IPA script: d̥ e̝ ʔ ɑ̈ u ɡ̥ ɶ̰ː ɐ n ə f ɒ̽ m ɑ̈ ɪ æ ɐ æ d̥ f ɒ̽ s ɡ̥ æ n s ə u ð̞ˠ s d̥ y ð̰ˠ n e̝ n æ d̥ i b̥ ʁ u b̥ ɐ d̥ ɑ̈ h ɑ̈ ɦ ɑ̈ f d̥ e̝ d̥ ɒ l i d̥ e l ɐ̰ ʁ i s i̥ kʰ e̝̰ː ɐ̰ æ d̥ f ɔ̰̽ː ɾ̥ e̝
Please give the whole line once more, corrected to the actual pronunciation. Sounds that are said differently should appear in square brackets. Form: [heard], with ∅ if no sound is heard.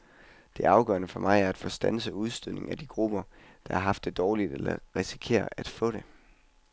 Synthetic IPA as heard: d̥ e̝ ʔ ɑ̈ [ʊ] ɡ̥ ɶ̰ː ɐ n ə f ɒ̽ m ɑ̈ ɪ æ ɐ æ d̥ f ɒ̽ s [d̥] æ n s ə u ð̞ˠ s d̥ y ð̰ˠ n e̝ [ŋ] æ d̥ i [ɡ̥] ʁ u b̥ ɐ d̥ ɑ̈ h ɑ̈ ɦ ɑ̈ f d̥ e̝ d̥ [ɒː] l i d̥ e l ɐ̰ ʁ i s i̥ kʰ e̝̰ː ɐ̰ æ d̥ f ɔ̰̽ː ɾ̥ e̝